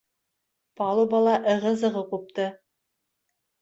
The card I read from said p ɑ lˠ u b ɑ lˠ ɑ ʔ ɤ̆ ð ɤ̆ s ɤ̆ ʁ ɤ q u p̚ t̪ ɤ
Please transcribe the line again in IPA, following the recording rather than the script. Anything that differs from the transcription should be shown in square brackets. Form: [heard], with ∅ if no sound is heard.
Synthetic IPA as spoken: p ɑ lˠ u b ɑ lˠ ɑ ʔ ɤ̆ [ʁ] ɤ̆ [z] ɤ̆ ʁ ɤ q u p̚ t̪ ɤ

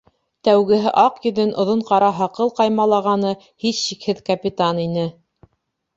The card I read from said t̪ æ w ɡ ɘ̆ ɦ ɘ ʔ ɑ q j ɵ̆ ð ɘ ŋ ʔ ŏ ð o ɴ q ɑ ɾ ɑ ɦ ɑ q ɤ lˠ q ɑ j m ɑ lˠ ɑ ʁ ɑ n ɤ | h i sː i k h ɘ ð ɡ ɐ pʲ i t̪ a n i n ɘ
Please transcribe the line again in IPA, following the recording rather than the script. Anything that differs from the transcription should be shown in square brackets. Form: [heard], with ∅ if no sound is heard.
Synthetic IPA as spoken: t̪ æ w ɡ ɘ̆ ɦ ɘ ʔ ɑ q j ɵ̆ ð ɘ [n] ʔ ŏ ð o ɴ q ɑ ɾ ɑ ɦ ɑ q ɤ lˠ q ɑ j m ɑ lˠ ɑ ʁ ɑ n ɤ | h i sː i k h ɘ ð [k] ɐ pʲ i t̪ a n i n ɘ

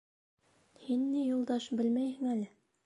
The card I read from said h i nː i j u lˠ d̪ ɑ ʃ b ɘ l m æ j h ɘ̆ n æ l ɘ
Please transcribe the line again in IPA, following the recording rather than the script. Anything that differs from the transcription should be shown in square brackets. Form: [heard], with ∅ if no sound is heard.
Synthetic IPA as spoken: h i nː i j u lˠ d̪ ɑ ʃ b ɘ l m æ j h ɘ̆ [ŋ] æ l ɘ

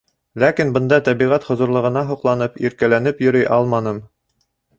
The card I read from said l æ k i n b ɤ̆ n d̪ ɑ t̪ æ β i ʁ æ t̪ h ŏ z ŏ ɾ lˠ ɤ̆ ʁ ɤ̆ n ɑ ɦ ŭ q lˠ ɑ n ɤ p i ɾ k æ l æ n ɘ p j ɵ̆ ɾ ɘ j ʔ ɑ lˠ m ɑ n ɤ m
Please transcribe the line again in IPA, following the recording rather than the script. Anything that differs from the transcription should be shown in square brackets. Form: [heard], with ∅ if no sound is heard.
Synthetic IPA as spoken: l æ k i n b ɤ̆ n d̪ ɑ t̪ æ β i ʁ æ t̪ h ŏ z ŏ ɾ lˠ ɤ̆ ʁ ɤ̆ n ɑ ɦ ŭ q lˠ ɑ n ɤ p i ɾ k æ l æ n ɘ p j ɵ̆ ɾ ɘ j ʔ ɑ lˠ m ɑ n ɤ m

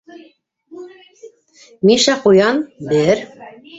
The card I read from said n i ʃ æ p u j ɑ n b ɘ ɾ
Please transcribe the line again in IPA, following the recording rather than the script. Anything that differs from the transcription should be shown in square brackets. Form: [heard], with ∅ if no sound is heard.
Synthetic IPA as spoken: [m] i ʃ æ [q] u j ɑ n b ɘ ɾ

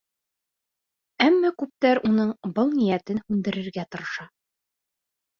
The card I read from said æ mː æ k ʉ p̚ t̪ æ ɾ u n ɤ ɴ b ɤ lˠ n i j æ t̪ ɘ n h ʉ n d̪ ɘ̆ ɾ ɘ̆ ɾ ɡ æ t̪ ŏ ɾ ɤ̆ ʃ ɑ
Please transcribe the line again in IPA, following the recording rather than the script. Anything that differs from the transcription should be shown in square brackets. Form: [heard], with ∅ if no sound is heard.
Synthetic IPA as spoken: æ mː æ k ʉ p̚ t̪ æ ɾ u n ɤ ɴ b ɤ lˠ n i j æ t̪ ɘ n h ʉ n d̪ ɘ̆ ɾ ɘ̆ ɾ ɡ æ t̪ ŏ ɾ ɤ̆ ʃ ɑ

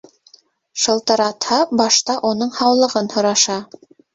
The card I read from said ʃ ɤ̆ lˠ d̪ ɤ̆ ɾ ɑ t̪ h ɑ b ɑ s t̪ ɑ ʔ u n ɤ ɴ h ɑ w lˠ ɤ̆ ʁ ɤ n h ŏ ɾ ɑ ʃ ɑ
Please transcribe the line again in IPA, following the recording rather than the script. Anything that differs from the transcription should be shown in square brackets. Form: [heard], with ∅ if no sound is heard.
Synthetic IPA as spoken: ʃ ɤ̆ lˠ [t̪] ɤ̆ ɾ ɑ t̪ h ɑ b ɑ [ʃ] t̪ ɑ ʔ u n ɤ ɴ h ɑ w lˠ ɤ̆ ʁ ɤ n h ŏ ɾ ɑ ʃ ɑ

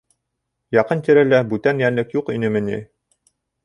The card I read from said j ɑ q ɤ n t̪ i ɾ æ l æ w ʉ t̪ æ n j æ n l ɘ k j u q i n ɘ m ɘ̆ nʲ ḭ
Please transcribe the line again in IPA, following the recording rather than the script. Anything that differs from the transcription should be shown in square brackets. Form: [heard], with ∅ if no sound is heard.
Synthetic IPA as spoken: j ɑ q ɤ n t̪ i ɾ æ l æ [b] ʉ t̪ æ n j æ n l ɘ k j u q i n ɘ m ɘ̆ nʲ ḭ

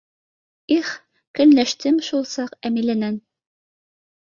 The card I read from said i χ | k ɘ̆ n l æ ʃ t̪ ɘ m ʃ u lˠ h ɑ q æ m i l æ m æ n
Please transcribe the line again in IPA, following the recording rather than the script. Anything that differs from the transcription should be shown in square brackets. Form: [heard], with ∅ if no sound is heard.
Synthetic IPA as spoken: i χ | k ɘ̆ n l æ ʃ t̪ ɘ m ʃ u lˠ [s] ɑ q æ m i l æ [n] æ n

